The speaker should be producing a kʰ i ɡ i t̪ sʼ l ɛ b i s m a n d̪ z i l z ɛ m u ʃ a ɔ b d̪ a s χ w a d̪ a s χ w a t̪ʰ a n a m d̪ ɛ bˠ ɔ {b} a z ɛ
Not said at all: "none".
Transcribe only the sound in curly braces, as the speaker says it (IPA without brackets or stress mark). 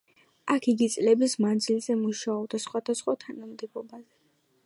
b